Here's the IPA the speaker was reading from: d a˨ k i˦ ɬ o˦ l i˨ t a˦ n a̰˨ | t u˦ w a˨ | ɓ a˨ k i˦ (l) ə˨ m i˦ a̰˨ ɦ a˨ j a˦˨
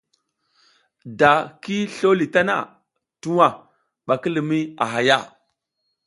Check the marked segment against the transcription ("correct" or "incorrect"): correct